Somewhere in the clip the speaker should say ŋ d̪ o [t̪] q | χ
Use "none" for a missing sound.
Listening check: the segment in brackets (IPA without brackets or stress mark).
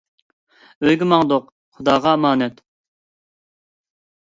none